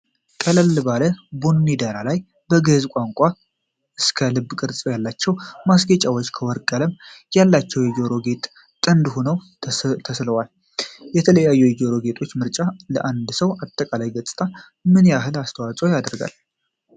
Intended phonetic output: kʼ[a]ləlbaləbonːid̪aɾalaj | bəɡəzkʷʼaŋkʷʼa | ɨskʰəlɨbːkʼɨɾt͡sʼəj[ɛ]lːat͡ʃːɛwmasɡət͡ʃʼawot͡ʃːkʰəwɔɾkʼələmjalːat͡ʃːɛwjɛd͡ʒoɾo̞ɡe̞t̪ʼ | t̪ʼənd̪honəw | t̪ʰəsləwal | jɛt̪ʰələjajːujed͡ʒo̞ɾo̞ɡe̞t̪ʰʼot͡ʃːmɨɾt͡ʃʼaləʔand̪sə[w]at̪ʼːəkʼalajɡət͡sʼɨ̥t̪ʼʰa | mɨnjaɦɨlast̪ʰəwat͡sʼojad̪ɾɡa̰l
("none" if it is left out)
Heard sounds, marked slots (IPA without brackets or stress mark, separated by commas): ə, a, w